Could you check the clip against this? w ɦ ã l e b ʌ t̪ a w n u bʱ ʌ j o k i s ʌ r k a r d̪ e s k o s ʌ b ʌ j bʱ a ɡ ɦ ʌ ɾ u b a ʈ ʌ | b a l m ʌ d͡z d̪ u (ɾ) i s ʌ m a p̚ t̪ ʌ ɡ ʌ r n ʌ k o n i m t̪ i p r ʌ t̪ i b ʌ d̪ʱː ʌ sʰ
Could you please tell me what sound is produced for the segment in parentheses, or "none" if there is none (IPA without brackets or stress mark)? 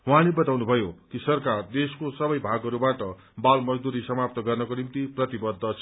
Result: ɾ